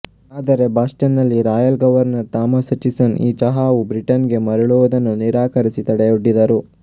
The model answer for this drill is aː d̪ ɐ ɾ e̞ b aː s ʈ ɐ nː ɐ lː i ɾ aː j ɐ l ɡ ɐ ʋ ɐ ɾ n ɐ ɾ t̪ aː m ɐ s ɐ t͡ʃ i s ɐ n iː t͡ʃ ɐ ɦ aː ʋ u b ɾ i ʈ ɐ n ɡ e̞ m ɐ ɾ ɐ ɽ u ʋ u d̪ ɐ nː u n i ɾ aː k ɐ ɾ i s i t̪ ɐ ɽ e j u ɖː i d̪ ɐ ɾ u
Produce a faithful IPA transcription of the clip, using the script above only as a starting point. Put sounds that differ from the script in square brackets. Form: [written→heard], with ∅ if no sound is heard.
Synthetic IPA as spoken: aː d̪ ɐ ɾ e̞ b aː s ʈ ɐ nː ɐ lː i ɾ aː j ɐ l ɡ ɐ ʋ ɐ ɾ n ɐ ɾ t̪ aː m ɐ s ɐ t͡ʃ i s ɐ n iː t͡ʃ ɐ ɦ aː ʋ u b ɾ i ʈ ɐ n ɡ e̞ m ɐ ɾ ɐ [ɽ→ɭ] u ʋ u d̪ ɐ nː u n i ɾ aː k ɐ ɾ i s i t̪ ɐ ɽ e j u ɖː i d̪ ɐ ɾ u